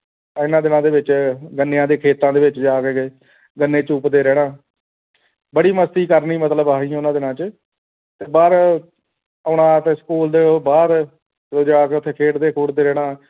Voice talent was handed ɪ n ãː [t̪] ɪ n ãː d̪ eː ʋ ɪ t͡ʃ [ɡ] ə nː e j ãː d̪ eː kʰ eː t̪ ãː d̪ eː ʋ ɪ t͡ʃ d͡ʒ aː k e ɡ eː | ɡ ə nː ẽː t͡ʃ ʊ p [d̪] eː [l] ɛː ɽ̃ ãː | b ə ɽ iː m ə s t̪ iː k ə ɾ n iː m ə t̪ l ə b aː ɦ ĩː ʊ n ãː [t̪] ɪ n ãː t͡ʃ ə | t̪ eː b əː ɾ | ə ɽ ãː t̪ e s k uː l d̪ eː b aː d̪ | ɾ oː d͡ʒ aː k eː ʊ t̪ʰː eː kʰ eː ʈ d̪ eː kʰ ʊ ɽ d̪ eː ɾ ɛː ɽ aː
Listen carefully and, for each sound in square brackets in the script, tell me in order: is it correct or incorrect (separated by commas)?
incorrect, correct, correct, incorrect, incorrect